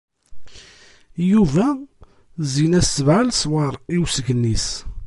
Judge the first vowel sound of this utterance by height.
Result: high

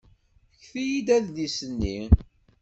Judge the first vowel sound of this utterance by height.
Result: high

